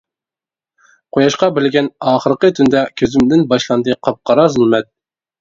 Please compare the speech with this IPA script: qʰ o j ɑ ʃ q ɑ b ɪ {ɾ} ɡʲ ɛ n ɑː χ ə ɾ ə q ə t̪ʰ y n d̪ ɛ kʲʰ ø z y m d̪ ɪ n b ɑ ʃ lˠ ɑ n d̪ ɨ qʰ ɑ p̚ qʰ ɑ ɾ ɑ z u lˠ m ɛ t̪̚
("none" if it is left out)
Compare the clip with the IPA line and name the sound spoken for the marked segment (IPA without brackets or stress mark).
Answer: l